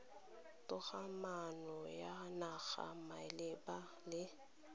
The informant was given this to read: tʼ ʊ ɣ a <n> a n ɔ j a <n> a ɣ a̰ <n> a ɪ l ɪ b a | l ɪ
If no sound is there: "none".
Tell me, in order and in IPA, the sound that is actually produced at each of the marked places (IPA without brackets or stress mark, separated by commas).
m, n, m